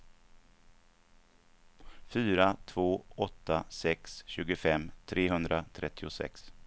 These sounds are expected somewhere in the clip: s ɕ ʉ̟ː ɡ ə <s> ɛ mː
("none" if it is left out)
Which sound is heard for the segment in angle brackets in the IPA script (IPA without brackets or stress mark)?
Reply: f